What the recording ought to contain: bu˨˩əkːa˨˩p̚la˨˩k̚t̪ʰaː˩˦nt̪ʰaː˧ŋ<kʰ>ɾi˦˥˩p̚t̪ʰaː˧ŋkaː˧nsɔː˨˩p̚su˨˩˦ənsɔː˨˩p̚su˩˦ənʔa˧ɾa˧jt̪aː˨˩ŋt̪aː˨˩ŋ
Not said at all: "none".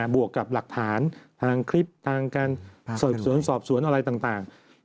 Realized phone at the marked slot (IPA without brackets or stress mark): kʰ